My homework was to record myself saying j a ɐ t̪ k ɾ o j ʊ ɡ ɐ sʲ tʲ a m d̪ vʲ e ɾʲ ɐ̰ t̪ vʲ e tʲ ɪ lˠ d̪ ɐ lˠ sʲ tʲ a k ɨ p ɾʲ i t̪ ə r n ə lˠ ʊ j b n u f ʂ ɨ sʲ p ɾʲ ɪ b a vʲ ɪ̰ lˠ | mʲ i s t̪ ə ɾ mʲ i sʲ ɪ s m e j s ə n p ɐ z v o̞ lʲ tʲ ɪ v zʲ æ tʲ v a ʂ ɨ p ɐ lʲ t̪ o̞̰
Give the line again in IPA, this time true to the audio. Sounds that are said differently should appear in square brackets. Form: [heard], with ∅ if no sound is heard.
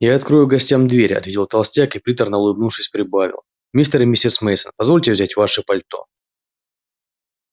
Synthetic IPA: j a ɐ t̪ k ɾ o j ʊ ɡ ɐ sʲ tʲ a m d̪ vʲ e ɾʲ ɐ̰ t̪ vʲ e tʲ ɪ lˠ [t̪] ɐ lˠ sʲ tʲ a k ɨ p ɾʲ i t̪ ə r n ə lˠ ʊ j b n u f ʂ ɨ sʲ p ɾʲ ɪ b a vʲ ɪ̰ lˠ | mʲ i s t̪ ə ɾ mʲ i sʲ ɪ s m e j s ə n p ɐ z v o̞ lʲ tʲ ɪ v zʲ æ tʲ v a ʂ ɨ p ɐ lʲ t̪ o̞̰